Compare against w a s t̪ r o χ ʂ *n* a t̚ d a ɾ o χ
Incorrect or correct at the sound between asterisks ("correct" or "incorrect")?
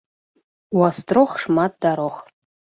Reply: incorrect